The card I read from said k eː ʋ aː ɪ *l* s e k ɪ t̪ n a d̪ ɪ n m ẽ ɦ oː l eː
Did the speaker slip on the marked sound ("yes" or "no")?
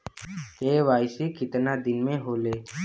yes